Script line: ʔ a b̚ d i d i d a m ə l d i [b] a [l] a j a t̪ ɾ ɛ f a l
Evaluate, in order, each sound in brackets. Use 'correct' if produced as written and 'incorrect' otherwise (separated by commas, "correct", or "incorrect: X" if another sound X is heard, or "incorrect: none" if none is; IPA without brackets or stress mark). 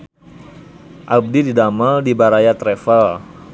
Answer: correct, incorrect: ɾ